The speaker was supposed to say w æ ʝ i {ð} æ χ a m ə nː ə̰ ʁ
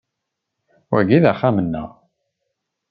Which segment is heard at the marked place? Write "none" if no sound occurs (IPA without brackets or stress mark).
ð